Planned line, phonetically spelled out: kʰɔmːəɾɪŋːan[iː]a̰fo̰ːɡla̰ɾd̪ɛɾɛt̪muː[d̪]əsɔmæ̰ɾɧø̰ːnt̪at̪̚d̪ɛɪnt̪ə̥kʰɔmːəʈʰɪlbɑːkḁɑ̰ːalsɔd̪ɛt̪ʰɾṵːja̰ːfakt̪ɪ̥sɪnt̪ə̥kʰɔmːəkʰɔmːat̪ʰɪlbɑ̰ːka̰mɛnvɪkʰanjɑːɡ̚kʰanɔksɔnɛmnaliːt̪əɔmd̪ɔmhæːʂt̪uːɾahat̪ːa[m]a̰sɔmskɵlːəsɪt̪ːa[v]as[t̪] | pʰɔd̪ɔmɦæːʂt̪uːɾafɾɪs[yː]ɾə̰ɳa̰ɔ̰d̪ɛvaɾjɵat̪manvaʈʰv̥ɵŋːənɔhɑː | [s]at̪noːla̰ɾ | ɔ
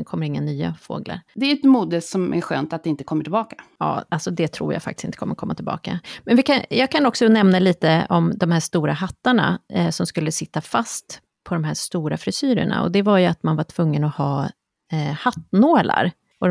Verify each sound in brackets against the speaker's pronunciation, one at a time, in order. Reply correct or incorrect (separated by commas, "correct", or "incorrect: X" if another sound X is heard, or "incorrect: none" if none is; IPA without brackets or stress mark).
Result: incorrect: yː, correct, incorrect: ɳ, incorrect: f, correct, correct, incorrect: h